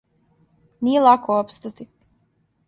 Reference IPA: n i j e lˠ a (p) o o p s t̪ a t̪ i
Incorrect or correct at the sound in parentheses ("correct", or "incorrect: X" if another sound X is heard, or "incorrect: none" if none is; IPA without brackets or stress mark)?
incorrect: k